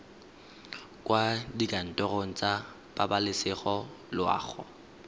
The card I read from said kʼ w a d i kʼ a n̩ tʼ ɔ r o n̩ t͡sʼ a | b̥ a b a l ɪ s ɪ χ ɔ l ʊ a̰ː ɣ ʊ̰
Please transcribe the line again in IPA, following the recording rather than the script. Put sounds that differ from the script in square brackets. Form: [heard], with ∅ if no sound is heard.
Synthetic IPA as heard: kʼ w a d i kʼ a n̩ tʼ ɔ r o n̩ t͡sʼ a | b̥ a b a l ɪ s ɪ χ ɔ l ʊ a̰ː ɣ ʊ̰